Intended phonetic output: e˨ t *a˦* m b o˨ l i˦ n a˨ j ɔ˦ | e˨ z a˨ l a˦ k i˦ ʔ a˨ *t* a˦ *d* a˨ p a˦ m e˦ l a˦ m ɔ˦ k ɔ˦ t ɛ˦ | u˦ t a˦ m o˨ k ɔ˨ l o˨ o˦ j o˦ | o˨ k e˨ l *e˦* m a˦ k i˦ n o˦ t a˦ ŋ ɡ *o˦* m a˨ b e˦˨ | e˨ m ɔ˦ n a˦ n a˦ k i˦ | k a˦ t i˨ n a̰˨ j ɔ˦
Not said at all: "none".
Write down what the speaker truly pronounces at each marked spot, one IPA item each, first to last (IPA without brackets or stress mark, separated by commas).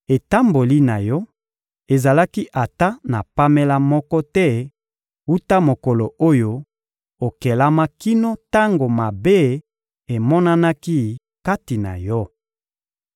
a˦, t, n, a˦, o˨